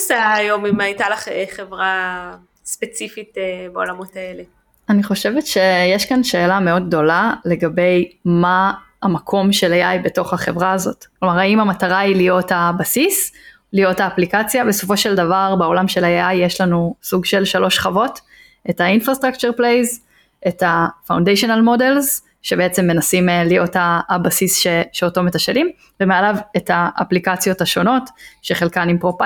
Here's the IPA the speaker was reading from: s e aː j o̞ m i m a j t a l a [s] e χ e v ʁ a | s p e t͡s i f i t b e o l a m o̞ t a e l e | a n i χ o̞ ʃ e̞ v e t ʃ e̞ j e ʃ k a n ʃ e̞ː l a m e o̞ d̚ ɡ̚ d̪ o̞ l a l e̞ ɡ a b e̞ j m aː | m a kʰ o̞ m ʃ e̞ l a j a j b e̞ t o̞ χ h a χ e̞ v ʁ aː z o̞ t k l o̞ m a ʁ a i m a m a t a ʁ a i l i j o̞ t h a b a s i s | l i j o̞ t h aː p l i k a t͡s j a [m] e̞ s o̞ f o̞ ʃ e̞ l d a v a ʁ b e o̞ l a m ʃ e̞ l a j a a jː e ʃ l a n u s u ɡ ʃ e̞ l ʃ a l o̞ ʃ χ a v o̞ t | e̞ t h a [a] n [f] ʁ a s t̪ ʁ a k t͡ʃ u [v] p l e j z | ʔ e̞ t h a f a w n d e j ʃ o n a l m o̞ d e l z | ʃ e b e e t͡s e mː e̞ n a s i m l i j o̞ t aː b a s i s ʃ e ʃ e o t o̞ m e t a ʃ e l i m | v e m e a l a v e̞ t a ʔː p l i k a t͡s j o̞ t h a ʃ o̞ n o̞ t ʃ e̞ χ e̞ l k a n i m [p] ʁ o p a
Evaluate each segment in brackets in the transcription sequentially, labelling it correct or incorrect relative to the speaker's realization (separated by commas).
incorrect, incorrect, incorrect, correct, incorrect, correct